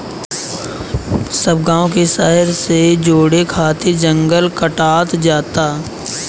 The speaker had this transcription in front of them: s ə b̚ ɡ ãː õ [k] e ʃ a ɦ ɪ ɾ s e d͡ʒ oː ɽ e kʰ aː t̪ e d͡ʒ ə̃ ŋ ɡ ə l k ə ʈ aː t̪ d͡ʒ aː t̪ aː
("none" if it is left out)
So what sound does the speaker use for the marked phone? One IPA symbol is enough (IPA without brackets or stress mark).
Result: k